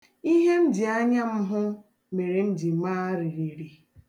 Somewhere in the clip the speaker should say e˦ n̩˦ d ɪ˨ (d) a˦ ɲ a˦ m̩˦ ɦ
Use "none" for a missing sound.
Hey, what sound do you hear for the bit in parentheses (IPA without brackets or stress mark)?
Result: none